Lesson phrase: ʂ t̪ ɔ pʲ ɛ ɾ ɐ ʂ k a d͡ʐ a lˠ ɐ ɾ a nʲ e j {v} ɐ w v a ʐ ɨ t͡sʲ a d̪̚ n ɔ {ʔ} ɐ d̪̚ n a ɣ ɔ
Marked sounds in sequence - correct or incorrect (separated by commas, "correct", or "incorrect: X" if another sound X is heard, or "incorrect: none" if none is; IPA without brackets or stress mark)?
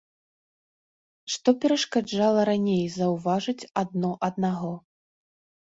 incorrect: z, correct